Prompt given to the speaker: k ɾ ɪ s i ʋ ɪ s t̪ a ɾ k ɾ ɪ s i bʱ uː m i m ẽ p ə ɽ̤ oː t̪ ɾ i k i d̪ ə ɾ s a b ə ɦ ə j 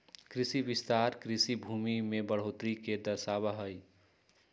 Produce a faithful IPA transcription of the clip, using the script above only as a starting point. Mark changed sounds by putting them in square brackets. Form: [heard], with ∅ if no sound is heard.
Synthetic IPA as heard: k ɾ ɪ s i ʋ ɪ s t̪ a ɾ k ɾ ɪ s i bʱ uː m i m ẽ [b] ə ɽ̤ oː t̪ ɾ i k [e] d̪ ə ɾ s a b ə ɦ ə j